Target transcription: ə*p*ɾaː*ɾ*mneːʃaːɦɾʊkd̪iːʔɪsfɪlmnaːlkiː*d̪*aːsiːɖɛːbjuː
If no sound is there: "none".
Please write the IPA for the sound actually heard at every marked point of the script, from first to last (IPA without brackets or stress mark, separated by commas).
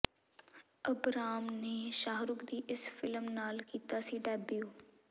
b, none, t̪